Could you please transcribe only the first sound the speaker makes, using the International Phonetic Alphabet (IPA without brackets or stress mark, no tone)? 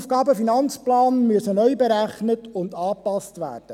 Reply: f